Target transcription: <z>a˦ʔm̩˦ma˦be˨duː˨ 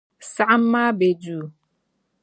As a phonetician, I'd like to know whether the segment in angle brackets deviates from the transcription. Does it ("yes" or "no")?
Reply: yes